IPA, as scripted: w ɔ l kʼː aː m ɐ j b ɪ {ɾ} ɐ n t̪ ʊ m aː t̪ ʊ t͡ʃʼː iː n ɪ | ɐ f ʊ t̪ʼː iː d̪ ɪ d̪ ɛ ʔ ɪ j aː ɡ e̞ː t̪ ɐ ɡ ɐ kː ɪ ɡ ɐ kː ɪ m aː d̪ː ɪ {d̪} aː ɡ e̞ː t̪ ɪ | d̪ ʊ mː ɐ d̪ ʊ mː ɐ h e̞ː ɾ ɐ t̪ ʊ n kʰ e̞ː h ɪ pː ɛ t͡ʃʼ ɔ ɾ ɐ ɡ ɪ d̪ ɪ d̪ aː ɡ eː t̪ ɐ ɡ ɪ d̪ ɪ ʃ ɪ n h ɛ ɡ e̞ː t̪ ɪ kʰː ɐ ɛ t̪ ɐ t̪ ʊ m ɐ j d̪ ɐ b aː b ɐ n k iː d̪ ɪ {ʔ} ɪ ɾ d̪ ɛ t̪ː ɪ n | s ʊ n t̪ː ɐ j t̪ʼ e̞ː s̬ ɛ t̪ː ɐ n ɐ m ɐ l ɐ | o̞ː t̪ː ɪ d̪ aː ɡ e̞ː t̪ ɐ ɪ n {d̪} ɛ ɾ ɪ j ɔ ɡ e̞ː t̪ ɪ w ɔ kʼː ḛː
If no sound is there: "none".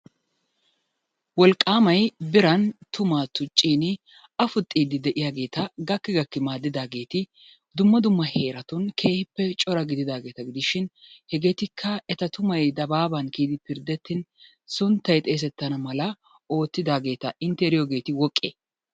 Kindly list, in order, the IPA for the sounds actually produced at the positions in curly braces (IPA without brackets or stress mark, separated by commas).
ɾ, d̪, p, t̪